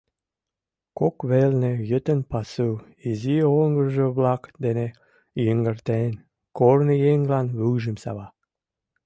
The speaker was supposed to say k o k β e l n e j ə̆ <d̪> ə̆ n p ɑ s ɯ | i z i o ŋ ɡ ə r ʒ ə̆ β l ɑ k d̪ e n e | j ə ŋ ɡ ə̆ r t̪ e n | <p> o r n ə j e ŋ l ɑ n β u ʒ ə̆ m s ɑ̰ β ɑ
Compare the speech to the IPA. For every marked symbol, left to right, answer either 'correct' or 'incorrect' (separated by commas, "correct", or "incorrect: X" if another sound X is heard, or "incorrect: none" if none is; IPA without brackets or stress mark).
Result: incorrect: t̪, incorrect: k